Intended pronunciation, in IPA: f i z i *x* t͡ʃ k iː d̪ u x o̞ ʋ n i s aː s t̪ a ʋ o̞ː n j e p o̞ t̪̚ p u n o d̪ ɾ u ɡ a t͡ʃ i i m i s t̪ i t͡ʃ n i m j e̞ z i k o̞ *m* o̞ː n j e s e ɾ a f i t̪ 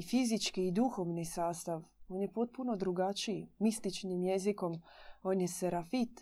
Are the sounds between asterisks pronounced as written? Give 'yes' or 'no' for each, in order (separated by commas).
no, yes